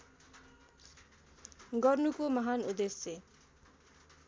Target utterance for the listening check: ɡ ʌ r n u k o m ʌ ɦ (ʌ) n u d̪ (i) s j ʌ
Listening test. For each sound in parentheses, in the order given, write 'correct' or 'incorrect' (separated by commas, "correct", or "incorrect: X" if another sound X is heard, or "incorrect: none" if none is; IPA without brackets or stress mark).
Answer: incorrect: a, incorrect: e